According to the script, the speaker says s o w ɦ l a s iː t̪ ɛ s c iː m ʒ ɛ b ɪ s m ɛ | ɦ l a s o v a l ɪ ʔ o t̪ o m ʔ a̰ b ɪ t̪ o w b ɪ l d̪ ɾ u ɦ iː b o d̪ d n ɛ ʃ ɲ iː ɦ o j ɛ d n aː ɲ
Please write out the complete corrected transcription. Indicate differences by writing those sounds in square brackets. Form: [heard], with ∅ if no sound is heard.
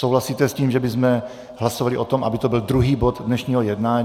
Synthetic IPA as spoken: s o w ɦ l a s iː t̪ ɛ s c iː m ʒ ɛ b ɪ [z] m ɛ | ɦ l a s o v a l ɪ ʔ o t̪ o m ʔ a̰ b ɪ t̪ o [∅] b ɪ l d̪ ɾ u ɦ iː b o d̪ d n ɛ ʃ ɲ iː ɦ o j ɛ d n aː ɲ